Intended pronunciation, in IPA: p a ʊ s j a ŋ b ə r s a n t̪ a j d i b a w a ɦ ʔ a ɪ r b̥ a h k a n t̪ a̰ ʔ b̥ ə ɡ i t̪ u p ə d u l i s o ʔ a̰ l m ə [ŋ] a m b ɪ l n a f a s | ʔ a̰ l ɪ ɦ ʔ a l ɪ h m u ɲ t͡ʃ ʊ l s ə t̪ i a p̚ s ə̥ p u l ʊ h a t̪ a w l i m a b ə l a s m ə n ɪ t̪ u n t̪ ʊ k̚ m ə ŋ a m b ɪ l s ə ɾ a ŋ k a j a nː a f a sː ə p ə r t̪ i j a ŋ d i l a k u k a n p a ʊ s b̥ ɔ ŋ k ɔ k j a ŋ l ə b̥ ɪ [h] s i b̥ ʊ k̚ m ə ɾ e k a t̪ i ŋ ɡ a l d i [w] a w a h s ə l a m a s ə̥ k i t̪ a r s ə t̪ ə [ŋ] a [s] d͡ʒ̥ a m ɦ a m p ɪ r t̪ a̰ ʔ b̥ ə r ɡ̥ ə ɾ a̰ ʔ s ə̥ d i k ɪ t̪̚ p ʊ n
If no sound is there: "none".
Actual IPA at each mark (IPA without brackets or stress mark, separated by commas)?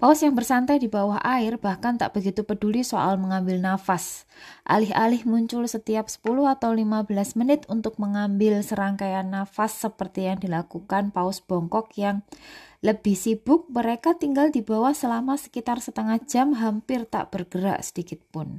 ŋ, h, b, ŋ, h